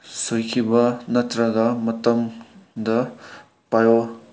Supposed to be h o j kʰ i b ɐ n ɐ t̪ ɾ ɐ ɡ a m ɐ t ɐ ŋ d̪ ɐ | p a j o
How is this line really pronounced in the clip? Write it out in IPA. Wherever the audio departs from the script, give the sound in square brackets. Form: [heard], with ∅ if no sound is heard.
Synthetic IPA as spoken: [s] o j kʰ i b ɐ n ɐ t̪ ɾ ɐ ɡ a m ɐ t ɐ [m] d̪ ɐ | p a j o